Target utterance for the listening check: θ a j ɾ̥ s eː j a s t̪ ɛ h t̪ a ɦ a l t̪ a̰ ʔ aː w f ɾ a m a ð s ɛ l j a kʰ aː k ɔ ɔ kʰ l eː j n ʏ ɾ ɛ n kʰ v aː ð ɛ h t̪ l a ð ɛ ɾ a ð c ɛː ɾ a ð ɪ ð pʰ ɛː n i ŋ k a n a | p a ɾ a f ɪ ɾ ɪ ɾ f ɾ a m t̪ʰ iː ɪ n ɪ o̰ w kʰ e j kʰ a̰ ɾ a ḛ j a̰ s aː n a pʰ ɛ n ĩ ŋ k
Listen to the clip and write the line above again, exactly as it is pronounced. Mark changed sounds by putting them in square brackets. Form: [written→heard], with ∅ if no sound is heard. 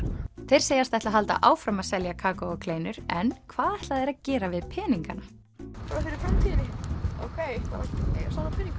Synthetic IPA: θ [a→e] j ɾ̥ s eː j a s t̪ ɛ h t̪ a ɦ a l t̪ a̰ ʔ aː w f ɾ a m a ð s ɛ l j a kʰ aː k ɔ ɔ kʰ l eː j n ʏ ɾ ɛ n kʰ v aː ð ɛ h t̪ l a ð ɛ ɾ a ð c ɛː ɾ a [ð→v] ɪ ð pʰ ɛː n i ŋ k a n a | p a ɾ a f ɪ ɾ ɪ ɾ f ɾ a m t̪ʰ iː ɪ n ɪ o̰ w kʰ e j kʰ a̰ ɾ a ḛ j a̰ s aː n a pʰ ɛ n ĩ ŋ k